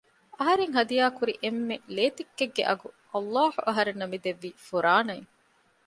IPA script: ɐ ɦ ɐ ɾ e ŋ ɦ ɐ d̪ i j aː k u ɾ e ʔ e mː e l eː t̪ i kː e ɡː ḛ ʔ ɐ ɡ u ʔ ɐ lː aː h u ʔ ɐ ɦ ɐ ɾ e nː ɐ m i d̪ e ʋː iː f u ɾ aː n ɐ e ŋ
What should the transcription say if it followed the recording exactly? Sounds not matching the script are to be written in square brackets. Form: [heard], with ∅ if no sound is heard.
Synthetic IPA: ɐ ɦ ɐ ɾ e ŋ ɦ ɐ d̪ i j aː k u ɾ [i] ʔ e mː e l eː t̪ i kː e ɡː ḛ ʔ ɐ ɡ u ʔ ɐ lː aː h u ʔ ɐ ɦ ɐ ɾ e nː ɐ m i d̪ e ʋː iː f u ɾ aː n ɐ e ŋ